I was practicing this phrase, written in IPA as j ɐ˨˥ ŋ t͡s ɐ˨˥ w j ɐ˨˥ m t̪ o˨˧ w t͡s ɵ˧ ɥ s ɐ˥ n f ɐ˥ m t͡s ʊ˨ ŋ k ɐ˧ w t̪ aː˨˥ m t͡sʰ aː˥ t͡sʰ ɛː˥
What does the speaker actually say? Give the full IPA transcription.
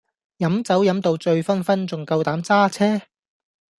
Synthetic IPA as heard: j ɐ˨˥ m t͡s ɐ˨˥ w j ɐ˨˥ m t̪ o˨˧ w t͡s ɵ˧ ɥ f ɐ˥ n f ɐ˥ n t͡s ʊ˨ ŋ k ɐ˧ w t̪ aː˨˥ m t͡s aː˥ t͡sʰ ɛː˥